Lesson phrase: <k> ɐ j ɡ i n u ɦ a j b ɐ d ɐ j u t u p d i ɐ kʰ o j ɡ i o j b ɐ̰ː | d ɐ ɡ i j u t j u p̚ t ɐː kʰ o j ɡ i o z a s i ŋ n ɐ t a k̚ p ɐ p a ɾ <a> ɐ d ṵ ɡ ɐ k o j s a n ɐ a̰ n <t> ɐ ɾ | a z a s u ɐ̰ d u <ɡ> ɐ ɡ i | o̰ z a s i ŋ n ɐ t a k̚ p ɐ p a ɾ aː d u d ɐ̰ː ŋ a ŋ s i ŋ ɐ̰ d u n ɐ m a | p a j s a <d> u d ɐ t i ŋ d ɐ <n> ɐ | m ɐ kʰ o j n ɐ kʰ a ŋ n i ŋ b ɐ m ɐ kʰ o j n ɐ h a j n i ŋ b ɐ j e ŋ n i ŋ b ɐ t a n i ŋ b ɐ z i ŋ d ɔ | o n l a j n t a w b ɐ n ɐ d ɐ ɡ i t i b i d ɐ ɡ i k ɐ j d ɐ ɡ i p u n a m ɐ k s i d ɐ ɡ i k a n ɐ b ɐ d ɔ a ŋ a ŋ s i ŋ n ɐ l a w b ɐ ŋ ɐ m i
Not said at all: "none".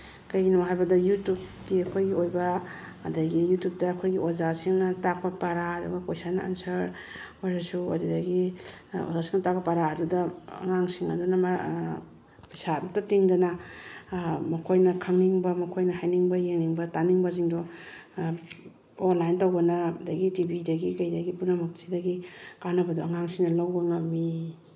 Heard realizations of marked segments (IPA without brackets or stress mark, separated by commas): k, a, s, d, d, n